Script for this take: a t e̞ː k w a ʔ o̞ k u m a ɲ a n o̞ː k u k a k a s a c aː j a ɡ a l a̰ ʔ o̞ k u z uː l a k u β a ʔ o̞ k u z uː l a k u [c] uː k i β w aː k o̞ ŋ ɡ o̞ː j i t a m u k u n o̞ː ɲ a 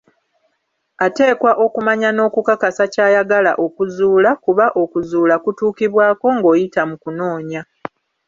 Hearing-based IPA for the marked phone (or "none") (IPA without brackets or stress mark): t